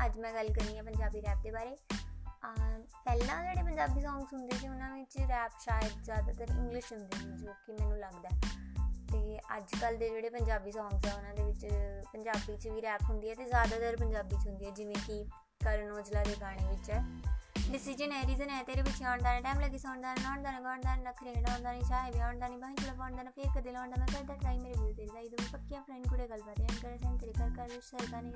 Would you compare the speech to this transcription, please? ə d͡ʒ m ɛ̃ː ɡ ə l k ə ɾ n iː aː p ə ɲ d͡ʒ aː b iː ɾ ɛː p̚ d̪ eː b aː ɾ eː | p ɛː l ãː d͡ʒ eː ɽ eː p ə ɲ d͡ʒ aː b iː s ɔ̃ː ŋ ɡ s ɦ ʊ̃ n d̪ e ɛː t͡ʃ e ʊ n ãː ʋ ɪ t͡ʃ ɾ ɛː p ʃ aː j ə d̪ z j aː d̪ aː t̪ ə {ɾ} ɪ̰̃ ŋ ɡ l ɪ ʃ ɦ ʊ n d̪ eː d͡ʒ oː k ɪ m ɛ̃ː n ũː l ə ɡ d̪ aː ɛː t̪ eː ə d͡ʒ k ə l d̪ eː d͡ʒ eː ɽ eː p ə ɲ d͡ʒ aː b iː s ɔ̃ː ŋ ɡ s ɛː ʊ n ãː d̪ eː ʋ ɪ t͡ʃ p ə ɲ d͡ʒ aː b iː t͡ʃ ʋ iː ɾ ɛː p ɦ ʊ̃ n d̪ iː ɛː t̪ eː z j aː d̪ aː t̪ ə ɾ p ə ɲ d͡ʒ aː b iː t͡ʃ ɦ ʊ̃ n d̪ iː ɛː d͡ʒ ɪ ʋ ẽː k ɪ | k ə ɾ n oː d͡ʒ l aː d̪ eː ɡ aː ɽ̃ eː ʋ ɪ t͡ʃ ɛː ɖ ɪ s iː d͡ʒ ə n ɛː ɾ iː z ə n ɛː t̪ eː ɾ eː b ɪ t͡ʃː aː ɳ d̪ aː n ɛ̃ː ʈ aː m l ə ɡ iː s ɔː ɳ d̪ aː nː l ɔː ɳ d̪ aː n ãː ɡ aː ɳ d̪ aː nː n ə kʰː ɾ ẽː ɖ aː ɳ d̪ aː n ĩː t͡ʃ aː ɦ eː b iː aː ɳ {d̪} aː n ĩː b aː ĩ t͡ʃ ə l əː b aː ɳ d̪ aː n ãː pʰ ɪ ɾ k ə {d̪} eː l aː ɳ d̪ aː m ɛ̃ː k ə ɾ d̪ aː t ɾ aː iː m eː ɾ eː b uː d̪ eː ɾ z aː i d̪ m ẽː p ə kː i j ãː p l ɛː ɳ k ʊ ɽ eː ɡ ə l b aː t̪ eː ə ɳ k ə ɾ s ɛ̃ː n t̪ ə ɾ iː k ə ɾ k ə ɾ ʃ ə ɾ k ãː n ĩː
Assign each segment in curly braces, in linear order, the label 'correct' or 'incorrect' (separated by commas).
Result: correct, correct, correct